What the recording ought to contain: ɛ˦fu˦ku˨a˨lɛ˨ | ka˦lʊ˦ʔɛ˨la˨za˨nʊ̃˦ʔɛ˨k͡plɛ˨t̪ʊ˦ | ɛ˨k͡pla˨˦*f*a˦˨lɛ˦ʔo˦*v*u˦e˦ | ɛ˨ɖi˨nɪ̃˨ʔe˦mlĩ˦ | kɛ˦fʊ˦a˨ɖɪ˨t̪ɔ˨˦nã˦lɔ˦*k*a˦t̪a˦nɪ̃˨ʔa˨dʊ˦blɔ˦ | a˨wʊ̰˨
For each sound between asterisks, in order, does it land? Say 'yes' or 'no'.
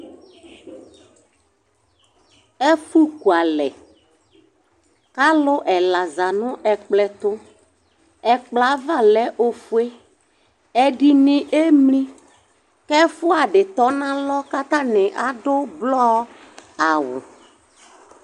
no, no, yes

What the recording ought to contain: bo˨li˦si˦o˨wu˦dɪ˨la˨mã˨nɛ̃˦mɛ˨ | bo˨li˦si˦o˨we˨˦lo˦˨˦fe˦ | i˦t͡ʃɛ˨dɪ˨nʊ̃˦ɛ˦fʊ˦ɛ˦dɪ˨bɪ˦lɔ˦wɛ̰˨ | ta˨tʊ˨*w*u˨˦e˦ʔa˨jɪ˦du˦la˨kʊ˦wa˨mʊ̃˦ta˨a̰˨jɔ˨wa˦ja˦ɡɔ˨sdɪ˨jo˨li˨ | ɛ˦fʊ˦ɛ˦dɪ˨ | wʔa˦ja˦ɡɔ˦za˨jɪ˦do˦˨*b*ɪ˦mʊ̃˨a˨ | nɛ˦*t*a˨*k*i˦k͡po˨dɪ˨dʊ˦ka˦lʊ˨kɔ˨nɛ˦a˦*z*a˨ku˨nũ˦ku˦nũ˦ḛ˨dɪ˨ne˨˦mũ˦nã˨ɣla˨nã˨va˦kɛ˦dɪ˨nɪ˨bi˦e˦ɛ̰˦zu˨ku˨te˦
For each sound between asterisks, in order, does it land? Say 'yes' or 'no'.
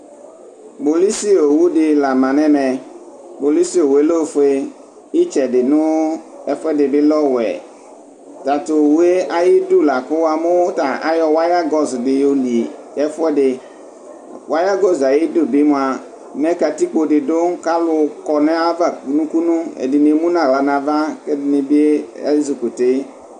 yes, yes, no, no, no

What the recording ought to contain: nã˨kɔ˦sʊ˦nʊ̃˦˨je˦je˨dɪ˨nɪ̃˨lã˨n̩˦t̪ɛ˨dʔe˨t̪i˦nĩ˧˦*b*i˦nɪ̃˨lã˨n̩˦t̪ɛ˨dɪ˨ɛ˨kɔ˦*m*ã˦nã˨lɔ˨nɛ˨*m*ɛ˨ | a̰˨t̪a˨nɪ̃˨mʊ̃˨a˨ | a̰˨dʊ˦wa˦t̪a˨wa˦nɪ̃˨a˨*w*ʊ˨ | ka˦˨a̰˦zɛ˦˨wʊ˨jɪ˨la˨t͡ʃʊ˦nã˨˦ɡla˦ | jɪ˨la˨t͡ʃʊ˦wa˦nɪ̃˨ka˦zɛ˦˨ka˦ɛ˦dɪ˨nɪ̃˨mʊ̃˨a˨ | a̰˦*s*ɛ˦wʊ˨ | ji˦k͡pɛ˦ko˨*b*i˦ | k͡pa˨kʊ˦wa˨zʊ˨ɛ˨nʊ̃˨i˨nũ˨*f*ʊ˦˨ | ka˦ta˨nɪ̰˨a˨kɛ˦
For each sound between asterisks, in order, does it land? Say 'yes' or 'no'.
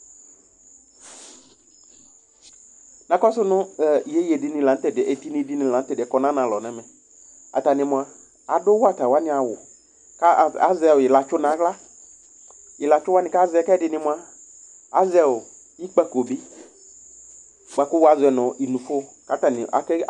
no, no, yes, yes, no, yes, yes

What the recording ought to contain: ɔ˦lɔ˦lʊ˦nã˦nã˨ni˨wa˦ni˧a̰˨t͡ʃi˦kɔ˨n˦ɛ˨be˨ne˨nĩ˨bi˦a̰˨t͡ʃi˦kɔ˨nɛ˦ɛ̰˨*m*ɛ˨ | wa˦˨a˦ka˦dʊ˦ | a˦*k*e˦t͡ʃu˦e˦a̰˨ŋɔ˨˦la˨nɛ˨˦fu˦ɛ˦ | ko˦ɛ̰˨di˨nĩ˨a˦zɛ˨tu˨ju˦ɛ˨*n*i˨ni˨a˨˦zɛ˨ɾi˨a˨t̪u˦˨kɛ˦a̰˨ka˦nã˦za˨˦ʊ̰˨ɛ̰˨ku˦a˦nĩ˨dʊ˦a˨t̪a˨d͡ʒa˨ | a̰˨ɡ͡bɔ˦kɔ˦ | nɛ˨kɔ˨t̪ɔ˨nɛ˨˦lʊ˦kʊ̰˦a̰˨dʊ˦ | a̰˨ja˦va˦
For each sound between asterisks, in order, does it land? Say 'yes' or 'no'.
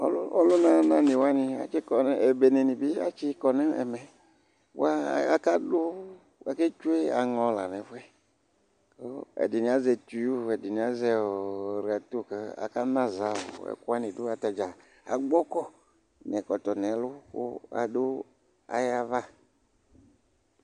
yes, yes, no

